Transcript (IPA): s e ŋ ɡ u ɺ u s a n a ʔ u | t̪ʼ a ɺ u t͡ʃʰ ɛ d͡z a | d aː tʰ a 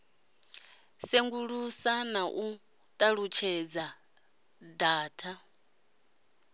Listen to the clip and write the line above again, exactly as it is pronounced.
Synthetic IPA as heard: s e ŋ ɡ u ɺ u s a n a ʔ u | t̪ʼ a ɺ u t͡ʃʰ ɛ d͡z a | d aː tʰ a